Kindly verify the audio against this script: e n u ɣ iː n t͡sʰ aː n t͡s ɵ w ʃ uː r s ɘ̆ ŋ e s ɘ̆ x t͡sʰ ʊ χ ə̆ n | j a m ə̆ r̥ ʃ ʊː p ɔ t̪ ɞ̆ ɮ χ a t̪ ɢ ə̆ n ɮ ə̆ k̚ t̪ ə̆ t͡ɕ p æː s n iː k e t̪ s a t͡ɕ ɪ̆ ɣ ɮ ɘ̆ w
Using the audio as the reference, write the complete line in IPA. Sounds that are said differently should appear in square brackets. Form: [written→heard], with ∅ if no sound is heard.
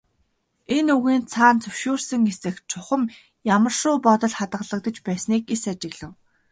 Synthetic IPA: e n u ɣ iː n t͡sʰ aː n t͡s ɵ w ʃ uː r s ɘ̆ ŋ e s ɘ̆ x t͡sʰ ʊ χ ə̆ [n→m] | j a m ə̆ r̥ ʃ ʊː p ɔ t̪ ɞ̆ ɮ χ a t̪ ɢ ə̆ [n→∅] ɮ ə̆ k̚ t̪ ə̆ t͡ɕ p æː s n iː k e [t̪→∅] s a t͡ɕ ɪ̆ ɣ ɮ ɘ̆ w